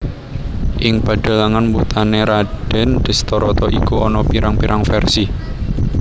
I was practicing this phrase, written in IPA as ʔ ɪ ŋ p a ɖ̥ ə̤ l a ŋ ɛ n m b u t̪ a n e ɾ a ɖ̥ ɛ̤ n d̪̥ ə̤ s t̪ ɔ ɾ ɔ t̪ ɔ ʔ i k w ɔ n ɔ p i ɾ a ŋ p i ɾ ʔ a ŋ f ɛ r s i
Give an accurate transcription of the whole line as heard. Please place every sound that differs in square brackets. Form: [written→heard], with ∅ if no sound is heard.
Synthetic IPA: ʔ ɪ ŋ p a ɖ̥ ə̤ l a ŋ [ɛ→a] n m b u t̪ a n e ɾ a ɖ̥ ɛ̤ n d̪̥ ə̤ s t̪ ɔ ɾ ɔ t̪ ɔ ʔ i k [w→u] ɔ n ɔ p i ɾ a ŋ p i ɾ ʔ a ŋ f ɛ r s i

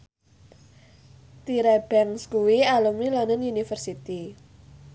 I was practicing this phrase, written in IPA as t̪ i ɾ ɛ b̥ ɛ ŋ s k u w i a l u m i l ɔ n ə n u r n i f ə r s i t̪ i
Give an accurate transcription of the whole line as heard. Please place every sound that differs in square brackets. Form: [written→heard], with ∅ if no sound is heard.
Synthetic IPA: t̪ i ɾ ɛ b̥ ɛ ŋ s k u w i a l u m i l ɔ n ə n u [r→∅] n i f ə r s i t̪ i

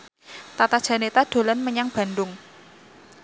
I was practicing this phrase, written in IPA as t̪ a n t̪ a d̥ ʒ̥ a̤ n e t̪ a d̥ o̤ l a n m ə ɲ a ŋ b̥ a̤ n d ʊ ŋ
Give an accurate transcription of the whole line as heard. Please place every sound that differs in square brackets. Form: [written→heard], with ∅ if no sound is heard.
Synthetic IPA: t̪ a [n→∅] t̪ a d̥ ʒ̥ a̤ n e t̪ a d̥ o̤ l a n m ə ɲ a ŋ b̥ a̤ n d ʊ ŋ

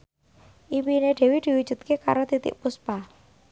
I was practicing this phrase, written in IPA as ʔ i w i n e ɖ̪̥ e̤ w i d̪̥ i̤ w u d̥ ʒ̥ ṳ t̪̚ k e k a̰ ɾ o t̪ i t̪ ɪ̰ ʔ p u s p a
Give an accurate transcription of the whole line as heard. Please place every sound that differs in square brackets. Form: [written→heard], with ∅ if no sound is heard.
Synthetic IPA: ʔ i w i n e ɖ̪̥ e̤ w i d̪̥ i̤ w u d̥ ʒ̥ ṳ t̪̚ k e k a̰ ɾ o t̪ i t̪ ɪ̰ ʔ p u s p a

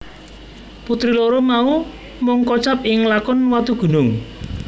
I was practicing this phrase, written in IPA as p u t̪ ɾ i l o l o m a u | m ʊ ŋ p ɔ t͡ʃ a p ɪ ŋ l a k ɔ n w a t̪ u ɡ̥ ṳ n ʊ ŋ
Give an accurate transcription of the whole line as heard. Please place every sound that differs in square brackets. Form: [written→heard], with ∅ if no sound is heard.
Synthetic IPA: p u t̪ ɾ i l o [l→ɾ] o m a u | m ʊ ŋ [p→k] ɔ t͡ʃ a p ɪ ŋ l a k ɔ n w a t̪ u ɡ̥ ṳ n ʊ ŋ

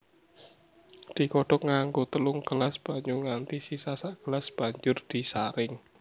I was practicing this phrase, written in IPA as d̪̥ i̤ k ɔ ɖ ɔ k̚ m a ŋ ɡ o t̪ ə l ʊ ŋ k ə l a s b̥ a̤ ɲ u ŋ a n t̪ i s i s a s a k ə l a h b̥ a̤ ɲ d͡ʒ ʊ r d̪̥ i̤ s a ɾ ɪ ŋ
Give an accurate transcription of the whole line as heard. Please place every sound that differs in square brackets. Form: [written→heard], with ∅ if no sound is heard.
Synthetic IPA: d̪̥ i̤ k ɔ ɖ ɔ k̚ [m→ŋ] a ŋ ɡ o t̪ ə l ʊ ŋ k ə l a s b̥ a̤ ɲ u ŋ a n t̪ i s i s a s a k ə l a [h→s] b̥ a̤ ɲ d͡ʒ ʊ r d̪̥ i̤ s a ɾ ɪ ŋ

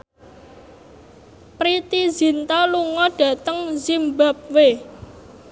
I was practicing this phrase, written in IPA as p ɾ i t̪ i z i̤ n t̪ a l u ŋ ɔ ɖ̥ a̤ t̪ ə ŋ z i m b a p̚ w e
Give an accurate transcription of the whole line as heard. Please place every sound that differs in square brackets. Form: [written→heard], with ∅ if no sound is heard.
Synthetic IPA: p ɾ i t̪ i z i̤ n t̪ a l u ŋ ɔ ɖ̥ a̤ t̪ ə ŋ z i m b a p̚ w e

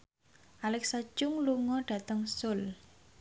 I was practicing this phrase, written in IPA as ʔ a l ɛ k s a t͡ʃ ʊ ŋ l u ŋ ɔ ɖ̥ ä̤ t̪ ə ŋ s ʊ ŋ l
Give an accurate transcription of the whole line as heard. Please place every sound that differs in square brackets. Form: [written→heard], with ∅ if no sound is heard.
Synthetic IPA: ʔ a l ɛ k s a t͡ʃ ʊ ŋ l u ŋ ɔ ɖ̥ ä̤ t̪ ə ŋ s ʊ [ŋ→∅] l

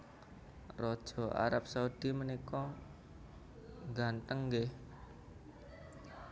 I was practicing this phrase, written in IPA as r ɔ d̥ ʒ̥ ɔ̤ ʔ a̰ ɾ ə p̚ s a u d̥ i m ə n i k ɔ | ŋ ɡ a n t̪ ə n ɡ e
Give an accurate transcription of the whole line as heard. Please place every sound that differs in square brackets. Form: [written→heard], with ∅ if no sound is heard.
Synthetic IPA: r ɔ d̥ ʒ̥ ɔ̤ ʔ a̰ ɾ [ə→a] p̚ s a u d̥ i m ə n i k ɔ | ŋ ɡ a n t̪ ə [n→ŋ] ɡ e

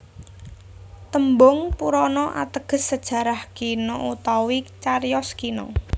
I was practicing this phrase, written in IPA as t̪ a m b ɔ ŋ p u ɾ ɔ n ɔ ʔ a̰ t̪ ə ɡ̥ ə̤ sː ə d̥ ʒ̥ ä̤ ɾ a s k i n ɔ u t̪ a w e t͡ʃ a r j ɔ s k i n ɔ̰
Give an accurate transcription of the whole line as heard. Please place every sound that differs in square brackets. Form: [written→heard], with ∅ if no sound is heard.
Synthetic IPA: t̪ [a→ə] m b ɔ ŋ p u ɾ ɔ n ɔ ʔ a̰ t̪ ə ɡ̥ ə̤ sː ə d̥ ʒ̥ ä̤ ɾ a [s→h] k i n ɔ u t̪ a w [e→i] t͡ʃ a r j ɔ s k i n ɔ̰

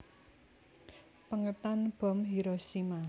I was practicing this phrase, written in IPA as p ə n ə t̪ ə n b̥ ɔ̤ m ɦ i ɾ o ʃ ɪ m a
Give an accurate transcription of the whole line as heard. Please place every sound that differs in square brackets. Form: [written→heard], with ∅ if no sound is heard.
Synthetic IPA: p ə [n→ŋ] ə t̪ [ə→a] n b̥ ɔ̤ m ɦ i ɾ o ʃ [ɪ→i] m a

